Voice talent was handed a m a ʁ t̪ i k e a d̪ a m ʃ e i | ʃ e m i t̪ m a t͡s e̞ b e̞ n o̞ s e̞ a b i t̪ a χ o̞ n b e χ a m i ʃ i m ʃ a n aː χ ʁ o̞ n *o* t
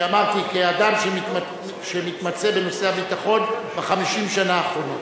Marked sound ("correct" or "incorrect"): correct